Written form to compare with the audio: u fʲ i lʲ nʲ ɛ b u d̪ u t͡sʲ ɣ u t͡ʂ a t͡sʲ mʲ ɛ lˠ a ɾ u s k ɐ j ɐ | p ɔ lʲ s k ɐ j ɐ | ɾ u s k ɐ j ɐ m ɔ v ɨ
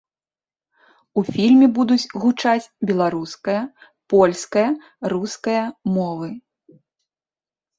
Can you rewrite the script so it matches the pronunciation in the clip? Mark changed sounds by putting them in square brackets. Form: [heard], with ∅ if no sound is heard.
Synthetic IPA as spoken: u fʲ i lʲ [mʲ] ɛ b u d̪ u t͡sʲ ɣ u t͡ʂ a t͡sʲ [bʲ] ɛ lˠ a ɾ u s k ɐ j ɐ | p ɔ lʲ s k ɐ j ɐ | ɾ u s k ɐ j ɐ m ɔ v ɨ